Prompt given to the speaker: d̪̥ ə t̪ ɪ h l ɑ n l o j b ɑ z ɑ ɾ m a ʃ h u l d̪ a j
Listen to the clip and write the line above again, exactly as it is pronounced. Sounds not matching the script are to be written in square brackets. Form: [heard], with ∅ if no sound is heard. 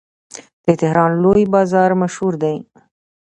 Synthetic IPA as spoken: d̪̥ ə t̪ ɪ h [ɾ] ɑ n l o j b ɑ z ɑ ɾ m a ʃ h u [ɾ] d̪ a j